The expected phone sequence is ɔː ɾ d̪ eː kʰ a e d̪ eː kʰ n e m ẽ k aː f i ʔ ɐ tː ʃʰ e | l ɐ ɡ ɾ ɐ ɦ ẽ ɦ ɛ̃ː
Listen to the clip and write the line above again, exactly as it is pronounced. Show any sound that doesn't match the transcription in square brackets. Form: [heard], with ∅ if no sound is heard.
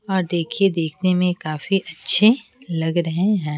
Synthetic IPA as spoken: ɔː ɾ d̪ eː kʰ [i] e d̪ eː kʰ n e m ẽ k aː f i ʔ ɐ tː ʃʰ e | l ɐ ɡ ɾ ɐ ɦ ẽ ɦ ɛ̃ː